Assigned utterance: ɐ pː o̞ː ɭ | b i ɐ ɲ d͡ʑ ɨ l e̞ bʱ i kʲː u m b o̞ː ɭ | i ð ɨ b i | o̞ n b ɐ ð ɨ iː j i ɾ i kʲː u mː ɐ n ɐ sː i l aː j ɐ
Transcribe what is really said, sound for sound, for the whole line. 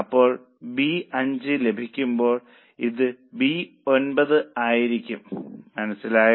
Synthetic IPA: ɐ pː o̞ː ɭ | b i ɐ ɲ d͡ʑ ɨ l e̞ bʱ i kʲː u m b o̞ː ɭ | i ð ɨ b i | o̞ n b ɐ ð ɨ aː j i ɾ i kʲː u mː ɐ n ɐ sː i l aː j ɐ